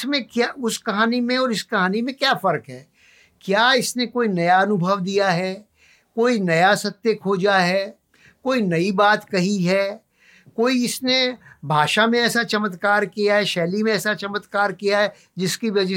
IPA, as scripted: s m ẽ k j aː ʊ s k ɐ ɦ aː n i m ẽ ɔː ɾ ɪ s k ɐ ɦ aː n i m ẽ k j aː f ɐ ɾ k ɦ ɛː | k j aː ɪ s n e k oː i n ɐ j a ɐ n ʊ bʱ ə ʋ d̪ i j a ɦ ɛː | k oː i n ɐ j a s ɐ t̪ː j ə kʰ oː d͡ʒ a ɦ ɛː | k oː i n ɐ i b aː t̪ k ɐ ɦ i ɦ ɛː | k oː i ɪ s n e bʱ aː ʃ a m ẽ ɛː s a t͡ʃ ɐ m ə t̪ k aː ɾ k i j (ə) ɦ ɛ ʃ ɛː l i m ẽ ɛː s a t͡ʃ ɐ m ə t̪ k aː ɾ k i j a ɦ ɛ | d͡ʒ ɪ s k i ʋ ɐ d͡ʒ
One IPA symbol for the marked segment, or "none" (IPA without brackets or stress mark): a